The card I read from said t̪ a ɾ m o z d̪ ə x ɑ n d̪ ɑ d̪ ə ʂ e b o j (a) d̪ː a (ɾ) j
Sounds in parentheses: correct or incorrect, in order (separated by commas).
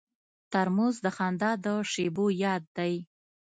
incorrect, incorrect